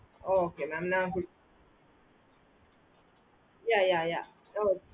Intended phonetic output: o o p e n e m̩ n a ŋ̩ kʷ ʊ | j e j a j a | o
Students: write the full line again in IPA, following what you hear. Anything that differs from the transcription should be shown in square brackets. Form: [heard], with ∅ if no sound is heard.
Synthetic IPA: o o [k] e n [a] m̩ n a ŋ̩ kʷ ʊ | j [a] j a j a | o